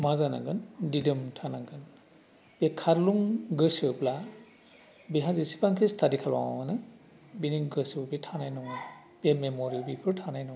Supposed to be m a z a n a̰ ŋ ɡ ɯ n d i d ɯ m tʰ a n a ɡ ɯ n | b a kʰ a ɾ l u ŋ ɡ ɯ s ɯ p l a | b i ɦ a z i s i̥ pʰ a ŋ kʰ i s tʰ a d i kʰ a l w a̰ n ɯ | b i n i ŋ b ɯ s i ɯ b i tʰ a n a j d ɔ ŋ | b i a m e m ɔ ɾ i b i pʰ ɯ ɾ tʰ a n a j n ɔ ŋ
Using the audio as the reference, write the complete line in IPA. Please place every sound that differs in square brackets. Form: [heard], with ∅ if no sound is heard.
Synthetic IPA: m a z a n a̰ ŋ ɡ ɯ n d i d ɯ m tʰ a n a ɡ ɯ n | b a kʰ a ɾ l u ŋ ɡ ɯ s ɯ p l a | b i ɦ a z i s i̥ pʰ a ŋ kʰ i s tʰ a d i kʰ a l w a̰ n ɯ | b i n i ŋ [ɡ] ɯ s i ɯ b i tʰ a n a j [n] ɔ ŋ | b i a m e m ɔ ɾ i b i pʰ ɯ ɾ tʰ a n a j n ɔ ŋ